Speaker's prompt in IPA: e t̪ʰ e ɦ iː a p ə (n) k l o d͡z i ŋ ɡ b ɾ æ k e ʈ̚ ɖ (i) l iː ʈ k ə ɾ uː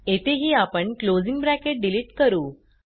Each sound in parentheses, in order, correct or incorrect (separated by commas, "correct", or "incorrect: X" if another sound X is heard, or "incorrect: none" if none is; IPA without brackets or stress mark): incorrect: ɳ, correct